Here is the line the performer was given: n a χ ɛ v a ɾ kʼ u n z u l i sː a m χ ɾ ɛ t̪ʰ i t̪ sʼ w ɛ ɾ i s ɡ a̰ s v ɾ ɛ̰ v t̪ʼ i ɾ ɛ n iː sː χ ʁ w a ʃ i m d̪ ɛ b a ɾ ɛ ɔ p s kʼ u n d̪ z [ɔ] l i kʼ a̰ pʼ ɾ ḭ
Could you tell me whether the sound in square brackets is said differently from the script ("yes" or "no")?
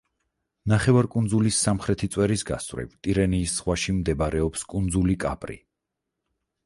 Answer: yes